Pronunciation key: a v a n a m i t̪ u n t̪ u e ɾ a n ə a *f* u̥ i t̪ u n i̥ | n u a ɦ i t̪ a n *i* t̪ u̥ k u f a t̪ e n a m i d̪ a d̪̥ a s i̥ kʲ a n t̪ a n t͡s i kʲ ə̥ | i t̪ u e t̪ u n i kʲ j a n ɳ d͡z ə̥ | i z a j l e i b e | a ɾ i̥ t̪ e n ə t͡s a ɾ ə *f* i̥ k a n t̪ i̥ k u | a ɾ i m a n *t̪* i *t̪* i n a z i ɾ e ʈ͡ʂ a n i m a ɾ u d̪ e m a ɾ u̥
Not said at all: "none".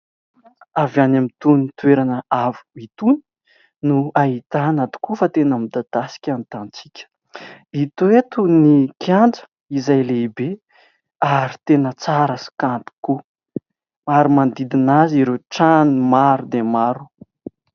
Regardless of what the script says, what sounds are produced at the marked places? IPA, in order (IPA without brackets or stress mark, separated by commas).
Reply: v, a, s, d̪, d̪